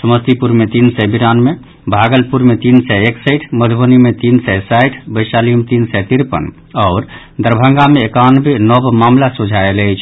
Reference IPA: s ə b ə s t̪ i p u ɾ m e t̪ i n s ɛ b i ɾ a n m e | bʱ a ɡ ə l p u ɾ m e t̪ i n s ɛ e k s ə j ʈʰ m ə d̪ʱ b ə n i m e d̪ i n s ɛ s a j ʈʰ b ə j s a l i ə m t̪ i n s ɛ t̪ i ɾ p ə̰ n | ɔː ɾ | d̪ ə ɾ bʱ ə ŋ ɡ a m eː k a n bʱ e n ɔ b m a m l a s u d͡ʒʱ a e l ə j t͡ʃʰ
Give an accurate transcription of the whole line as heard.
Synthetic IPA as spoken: s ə m ə s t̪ i p u ɾ m e t̪ i n s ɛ b i ɾ a n m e | bʱ a ɡ ə l p u ɾ m e t̪ i n s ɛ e k s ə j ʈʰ m ə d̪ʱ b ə n i m e t̪ i n s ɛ s a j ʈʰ b ə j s a l i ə m t̪ i n s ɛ t̪ i ɾ p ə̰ n | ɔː ɾ | d̪ ə ɾ bʱ ə ŋ ɡ a m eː k a n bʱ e n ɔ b m a m l a s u d͡ʒʱ a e l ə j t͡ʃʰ